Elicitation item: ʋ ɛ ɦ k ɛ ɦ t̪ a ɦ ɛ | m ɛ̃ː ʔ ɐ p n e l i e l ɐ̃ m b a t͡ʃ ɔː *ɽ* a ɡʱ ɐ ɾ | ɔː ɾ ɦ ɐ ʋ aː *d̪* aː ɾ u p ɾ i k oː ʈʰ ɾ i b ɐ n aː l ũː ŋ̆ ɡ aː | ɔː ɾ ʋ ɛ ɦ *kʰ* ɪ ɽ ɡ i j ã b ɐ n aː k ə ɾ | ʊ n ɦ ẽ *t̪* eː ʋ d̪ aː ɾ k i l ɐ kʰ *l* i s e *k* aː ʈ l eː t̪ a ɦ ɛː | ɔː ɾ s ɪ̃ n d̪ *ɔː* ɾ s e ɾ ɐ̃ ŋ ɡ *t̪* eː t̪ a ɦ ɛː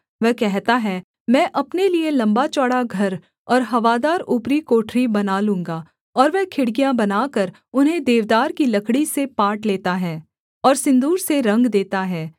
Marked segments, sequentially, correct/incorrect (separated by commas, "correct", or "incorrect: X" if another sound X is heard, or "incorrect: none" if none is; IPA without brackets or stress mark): correct, correct, correct, incorrect: d̪, incorrect: ɽ, incorrect: p, incorrect: uː, incorrect: d̪